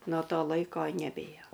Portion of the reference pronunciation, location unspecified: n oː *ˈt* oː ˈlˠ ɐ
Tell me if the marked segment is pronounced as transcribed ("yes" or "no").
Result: yes